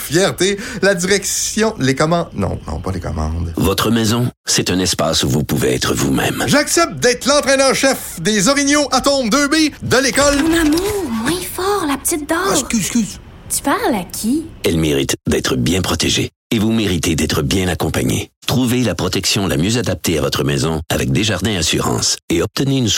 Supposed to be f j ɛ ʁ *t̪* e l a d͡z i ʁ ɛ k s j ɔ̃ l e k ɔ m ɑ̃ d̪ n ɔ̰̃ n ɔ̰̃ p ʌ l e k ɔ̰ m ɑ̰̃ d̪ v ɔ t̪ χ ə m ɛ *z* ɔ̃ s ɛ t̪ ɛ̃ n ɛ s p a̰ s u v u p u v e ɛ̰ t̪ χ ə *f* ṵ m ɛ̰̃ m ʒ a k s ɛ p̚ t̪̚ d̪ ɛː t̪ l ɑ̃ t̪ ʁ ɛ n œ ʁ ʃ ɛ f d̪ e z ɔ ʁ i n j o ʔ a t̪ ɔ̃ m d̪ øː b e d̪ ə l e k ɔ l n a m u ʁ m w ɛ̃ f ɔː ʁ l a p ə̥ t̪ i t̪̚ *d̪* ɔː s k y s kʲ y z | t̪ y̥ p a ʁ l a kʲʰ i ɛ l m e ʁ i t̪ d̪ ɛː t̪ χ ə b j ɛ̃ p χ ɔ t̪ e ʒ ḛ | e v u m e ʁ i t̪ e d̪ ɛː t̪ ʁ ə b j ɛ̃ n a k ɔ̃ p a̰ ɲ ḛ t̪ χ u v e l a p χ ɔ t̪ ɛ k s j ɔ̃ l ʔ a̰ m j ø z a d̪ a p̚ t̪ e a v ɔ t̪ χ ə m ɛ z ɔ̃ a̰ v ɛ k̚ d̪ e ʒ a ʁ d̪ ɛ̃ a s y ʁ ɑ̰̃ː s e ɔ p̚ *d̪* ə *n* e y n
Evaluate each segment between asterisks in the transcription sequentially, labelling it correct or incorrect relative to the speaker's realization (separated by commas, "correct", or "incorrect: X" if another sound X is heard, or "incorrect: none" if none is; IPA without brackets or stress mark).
correct, correct, incorrect: v, correct, incorrect: t̪, correct